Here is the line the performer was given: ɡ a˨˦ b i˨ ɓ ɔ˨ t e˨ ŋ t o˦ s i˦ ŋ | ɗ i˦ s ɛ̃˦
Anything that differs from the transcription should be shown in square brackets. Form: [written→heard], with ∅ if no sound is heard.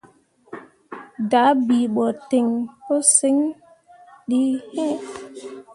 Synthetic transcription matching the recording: [ɡ→d] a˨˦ b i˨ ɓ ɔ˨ t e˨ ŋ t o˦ s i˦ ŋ | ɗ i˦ [s→h] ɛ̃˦